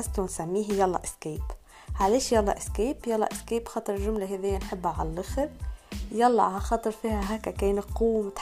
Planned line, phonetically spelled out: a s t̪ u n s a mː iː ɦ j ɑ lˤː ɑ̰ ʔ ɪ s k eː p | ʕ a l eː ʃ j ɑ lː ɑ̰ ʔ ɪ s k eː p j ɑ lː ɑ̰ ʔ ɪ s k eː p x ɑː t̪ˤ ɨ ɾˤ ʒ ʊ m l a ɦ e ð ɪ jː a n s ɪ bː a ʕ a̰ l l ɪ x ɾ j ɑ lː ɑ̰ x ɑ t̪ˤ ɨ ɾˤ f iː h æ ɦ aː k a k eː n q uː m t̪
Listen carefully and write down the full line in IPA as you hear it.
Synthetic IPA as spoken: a s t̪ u n s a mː iː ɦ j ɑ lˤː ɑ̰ ʔ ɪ s k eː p | ʕ a l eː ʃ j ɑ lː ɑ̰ ʔ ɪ s k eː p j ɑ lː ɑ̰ ʔ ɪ s k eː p x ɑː t̪ˤ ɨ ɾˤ ʒ ʊ m l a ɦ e ð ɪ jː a n ħ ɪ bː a ʕ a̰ l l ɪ x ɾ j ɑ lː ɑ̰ x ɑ t̪ˤ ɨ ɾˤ f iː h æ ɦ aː k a k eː n q uː m t̪